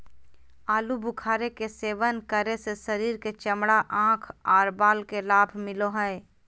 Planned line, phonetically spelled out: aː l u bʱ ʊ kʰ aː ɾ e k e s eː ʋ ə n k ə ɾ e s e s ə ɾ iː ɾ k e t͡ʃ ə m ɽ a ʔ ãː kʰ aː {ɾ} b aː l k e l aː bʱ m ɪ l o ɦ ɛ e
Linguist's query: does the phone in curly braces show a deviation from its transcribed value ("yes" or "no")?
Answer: no